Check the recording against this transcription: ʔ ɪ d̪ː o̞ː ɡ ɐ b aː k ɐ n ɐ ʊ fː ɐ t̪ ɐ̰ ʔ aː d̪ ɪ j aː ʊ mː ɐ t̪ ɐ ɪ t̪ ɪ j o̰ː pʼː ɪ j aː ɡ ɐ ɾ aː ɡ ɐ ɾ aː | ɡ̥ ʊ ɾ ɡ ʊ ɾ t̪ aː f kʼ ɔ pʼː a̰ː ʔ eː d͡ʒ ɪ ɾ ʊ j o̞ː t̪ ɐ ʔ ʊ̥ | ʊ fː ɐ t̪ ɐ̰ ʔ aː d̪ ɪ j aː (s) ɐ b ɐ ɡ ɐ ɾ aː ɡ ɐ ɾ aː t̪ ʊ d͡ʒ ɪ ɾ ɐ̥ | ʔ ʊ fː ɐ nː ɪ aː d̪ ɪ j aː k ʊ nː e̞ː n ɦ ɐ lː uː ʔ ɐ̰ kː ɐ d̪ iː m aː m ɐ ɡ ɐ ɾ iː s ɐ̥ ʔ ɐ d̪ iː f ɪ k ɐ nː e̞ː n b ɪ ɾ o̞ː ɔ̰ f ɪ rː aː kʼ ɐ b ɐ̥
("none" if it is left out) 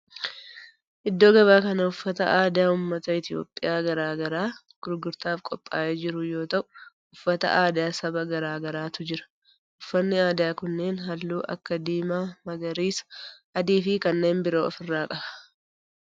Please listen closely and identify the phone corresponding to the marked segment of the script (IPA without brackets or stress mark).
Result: s